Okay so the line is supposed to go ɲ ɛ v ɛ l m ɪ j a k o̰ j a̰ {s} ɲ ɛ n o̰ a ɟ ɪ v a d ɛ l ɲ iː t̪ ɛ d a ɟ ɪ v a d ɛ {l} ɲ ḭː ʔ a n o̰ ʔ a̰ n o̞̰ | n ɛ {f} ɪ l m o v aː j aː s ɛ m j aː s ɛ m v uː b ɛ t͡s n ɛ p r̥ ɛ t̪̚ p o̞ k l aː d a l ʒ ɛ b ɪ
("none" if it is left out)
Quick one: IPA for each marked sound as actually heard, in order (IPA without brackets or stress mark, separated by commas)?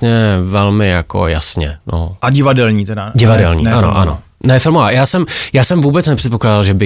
s, l, f